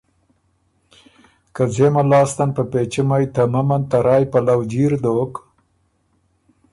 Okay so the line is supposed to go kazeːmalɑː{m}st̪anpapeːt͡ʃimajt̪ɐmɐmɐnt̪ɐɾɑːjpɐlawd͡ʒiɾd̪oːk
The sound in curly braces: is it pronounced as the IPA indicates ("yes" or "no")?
no